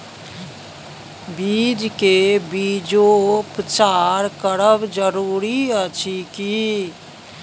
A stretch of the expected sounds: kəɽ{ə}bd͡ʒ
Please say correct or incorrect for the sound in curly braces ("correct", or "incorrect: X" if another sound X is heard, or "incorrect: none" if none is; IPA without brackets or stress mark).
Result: correct